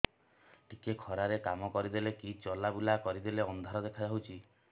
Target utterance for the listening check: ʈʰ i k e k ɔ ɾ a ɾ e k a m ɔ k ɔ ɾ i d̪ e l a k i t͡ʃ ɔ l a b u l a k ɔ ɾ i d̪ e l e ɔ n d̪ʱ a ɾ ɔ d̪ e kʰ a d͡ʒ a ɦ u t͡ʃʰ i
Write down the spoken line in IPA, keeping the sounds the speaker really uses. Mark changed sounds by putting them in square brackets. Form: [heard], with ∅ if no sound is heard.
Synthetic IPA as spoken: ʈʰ i k e [kʰ] ɔ ɾ a ɾ e k a m ɔ k ɔ ɾ i d̪ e l [e] k i t͡ʃ ɔ l a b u l a k ɔ ɾ i d̪ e l e ɔ n d̪ʱ a ɾ ɔ d̪ e kʰ a d͡ʒ a ɦ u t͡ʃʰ i